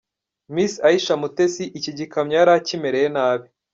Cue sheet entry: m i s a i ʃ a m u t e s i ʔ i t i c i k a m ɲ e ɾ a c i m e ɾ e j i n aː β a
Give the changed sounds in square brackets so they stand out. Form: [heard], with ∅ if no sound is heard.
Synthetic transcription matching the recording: m i s a i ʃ a m u t e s i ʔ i [c] i [ɟ] i k a m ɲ [a] ɾ a c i m e ɾ e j [e] n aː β [i]